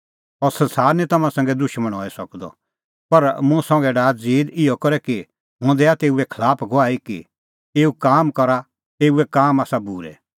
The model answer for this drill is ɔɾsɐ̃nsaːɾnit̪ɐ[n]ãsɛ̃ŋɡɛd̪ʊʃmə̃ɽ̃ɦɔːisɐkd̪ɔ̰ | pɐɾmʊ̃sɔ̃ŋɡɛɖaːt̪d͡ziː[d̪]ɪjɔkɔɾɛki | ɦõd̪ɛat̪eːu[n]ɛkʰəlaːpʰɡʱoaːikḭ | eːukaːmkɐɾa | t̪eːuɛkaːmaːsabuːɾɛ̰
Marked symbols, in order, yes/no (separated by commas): no, yes, no